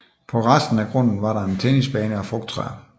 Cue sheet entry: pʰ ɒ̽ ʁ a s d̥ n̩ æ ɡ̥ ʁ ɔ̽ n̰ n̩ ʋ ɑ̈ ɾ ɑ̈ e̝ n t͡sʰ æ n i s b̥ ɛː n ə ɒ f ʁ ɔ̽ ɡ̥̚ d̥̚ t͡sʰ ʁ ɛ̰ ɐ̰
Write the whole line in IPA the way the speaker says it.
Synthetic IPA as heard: pʰ ɒ̽ ʁ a s d̥ n̩ æ ɡ̥ ʁ ɔ̽ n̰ n̩ ʋ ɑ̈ ɾ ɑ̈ e̝ n t͡sʰ e n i s b̥ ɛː n ə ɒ f ʁ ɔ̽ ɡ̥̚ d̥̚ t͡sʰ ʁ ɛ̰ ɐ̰